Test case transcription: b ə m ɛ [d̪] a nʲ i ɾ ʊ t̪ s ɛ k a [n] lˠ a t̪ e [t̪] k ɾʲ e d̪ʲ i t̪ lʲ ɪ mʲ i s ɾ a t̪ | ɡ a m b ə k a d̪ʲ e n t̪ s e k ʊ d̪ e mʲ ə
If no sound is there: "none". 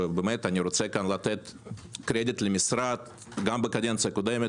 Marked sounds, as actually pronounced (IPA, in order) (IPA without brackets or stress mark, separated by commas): t̪, n, t̪